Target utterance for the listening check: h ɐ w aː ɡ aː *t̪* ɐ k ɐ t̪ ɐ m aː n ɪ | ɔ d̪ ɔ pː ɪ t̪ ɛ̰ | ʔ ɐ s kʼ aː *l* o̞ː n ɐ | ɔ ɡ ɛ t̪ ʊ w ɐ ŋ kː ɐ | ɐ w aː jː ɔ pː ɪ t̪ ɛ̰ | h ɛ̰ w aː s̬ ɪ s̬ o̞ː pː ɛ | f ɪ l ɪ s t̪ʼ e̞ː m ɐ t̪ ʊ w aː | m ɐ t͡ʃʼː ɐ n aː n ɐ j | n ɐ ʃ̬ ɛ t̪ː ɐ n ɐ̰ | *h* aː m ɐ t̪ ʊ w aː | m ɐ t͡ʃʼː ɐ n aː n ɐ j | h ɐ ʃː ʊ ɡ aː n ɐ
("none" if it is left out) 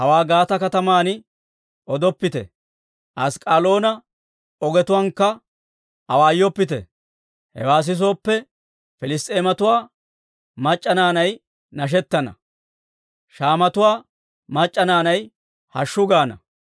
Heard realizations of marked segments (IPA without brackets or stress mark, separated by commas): t̪, l, ʃ